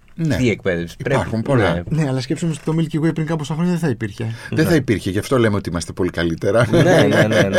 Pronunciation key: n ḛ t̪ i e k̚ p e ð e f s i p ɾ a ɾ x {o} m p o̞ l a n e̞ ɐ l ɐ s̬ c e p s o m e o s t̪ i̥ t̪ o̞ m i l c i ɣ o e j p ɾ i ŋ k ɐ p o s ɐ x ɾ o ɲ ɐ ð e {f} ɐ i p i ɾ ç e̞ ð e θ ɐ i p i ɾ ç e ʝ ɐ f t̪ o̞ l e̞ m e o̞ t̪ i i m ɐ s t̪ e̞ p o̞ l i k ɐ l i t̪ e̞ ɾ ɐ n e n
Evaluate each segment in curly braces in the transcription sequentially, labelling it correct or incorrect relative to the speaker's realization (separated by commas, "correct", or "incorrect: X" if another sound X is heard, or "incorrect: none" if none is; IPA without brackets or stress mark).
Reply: incorrect: u, incorrect: θ